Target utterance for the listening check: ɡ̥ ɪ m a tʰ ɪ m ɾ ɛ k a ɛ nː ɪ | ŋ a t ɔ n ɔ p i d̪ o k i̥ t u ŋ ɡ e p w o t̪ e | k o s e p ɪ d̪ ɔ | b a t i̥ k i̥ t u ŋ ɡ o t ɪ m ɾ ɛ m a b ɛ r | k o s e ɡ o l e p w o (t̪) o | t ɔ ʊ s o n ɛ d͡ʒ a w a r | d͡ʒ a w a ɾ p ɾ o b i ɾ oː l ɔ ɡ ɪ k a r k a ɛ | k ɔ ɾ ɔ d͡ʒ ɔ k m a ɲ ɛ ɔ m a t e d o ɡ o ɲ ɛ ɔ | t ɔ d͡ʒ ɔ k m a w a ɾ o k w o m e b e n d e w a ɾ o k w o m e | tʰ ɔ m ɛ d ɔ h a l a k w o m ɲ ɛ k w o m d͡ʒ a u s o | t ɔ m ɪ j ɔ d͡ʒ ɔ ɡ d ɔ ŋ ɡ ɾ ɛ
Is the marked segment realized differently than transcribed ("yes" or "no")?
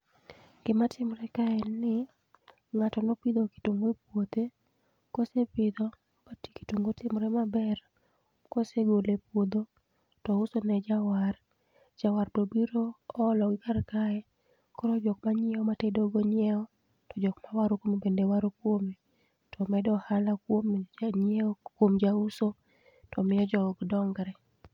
yes